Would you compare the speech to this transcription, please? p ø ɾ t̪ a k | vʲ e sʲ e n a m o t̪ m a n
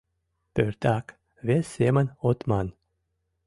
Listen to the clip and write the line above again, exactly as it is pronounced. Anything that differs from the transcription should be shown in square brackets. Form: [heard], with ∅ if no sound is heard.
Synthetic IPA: p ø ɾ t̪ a k | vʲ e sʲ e [m] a [n] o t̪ m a n